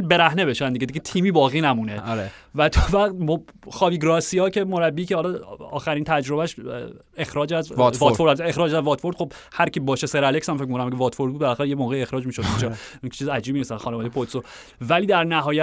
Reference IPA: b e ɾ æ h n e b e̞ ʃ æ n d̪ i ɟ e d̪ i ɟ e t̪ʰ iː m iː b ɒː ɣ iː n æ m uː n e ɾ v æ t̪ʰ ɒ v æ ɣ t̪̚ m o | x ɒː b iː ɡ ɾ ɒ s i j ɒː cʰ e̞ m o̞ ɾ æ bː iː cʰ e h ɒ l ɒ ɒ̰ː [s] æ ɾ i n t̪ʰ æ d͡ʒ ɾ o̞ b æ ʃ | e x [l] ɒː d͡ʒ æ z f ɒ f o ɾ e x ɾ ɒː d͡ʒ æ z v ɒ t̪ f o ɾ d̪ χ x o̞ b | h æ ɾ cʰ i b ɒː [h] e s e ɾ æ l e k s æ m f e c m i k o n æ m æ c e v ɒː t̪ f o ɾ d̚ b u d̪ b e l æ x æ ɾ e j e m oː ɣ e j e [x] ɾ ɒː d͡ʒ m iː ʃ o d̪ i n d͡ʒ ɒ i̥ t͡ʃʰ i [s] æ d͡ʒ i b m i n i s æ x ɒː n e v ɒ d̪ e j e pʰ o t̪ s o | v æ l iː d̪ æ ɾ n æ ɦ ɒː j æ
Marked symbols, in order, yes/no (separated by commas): no, no, no, yes, no